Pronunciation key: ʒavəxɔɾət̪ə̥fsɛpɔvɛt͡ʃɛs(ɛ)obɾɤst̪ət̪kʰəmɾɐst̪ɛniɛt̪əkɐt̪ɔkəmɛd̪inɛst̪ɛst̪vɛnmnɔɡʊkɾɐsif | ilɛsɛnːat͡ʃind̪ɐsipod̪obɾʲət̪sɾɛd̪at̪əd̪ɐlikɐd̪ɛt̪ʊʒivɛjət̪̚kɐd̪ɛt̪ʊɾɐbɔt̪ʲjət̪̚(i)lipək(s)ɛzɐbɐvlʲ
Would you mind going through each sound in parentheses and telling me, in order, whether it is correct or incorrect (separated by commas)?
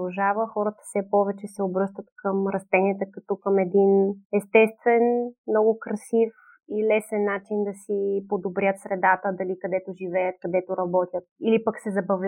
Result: correct, correct, correct